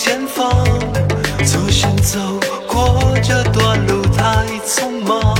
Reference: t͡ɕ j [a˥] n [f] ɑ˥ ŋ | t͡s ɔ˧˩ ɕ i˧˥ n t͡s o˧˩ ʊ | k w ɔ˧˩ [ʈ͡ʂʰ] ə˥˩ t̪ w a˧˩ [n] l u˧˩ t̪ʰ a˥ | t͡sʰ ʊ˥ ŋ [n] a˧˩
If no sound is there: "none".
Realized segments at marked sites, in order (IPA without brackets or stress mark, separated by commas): ɛ˥, f, ʈ͡ʂ, n, m